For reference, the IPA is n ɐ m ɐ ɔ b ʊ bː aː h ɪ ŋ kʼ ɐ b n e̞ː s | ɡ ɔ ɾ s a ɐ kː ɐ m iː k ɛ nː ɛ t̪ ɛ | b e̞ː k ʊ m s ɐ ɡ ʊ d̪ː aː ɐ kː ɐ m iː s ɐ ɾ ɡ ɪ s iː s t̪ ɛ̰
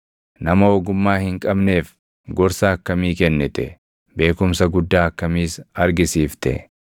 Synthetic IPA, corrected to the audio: n ɐ m ɐ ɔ ɡ ʊ mː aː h ɪ ŋ kʼ ɐ b n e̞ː f | ɡ ɔ ɾ s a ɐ kː ɐ m iː k ɛ nː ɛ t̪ ɛ | b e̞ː k ʊ m s ɐ ɡ ʊ d̪ː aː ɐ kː ɐ m iː s ɐ ɾ ɡ ɪ s iː f t̪ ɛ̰